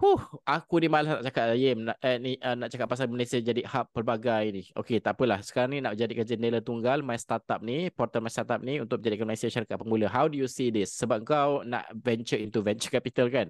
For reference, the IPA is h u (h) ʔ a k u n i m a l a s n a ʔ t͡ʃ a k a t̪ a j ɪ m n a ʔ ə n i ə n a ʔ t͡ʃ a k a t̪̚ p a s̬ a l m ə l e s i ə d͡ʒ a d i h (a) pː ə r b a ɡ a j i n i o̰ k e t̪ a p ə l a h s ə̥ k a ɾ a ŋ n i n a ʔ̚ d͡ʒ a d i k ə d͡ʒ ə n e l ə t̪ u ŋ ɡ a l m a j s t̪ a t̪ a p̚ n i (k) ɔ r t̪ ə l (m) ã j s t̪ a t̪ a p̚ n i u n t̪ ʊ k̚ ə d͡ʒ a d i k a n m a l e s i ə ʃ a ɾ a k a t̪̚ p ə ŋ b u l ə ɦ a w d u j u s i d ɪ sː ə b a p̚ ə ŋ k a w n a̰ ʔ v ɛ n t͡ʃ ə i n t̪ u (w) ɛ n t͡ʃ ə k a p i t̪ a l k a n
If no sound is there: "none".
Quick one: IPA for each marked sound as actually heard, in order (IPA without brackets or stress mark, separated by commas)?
h, a, p, m, v